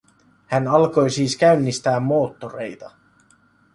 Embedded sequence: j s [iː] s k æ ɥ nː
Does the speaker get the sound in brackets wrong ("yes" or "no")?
no